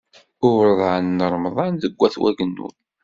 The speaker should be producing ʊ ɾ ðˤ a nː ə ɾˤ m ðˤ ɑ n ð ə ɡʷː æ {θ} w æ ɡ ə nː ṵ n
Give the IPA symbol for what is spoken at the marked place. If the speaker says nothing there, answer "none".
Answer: θ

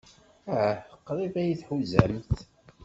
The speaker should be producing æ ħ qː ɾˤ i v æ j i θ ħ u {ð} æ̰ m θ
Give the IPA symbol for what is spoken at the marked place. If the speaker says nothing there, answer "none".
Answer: z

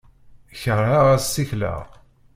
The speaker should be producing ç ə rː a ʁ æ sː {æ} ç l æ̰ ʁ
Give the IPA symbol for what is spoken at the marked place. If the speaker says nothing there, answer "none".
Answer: i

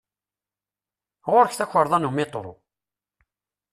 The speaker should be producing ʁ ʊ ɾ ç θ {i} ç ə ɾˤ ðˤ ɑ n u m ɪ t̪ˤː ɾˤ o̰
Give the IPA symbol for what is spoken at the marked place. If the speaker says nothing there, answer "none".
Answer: æ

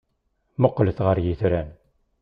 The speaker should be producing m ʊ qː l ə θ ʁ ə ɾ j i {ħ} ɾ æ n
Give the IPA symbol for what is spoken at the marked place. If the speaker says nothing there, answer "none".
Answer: θ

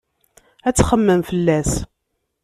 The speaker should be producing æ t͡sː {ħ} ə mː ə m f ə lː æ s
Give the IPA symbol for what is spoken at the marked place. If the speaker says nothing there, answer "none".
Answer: χ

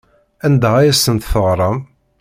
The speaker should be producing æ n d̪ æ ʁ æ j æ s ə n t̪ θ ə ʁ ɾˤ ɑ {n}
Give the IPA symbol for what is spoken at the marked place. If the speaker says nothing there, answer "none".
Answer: m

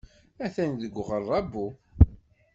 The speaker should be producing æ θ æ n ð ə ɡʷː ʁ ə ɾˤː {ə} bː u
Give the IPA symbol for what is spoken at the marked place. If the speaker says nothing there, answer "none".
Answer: ɑ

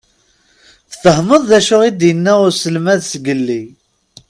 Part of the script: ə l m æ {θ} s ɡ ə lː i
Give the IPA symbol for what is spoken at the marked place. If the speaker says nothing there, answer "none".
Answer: ð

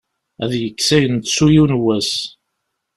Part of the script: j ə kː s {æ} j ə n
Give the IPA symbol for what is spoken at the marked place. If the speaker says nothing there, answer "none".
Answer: æ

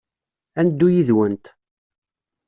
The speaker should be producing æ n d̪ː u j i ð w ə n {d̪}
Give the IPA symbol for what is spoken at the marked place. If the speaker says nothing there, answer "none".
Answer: t̪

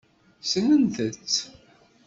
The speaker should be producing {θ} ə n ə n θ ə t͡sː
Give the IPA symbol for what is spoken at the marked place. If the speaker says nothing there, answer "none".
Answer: s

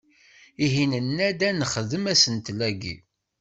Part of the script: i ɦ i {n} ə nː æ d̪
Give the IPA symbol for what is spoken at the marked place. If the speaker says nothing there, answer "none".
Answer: n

